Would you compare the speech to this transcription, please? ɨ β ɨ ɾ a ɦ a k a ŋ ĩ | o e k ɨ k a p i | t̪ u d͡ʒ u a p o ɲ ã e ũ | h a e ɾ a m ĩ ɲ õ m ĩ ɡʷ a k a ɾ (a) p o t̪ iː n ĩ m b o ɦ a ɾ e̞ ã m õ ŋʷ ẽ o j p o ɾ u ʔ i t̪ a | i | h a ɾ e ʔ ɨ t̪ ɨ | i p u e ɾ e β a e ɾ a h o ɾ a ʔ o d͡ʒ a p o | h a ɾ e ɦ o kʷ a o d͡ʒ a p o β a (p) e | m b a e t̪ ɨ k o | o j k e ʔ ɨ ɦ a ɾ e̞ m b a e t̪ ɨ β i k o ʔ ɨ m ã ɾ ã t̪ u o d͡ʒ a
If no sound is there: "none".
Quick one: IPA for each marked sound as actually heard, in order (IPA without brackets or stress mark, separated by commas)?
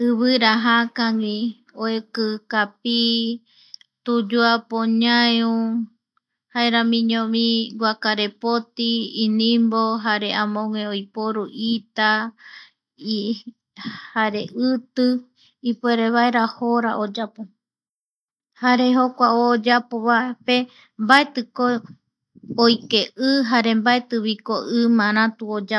e, p